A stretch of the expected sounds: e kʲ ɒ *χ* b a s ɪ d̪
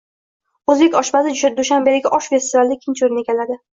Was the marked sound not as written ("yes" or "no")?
yes